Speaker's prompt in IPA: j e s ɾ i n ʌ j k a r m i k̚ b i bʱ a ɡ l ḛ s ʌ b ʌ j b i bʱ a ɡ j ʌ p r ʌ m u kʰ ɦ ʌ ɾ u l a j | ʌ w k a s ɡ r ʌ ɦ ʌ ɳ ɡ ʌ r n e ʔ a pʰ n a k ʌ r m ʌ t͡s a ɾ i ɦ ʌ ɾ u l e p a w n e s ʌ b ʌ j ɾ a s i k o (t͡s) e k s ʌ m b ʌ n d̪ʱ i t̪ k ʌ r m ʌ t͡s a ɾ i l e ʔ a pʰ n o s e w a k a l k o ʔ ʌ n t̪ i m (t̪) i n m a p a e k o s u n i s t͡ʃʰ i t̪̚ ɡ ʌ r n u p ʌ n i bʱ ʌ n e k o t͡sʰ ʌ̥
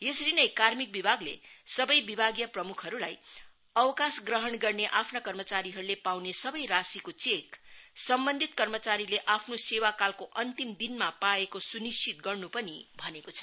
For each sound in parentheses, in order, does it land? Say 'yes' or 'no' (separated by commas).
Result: yes, no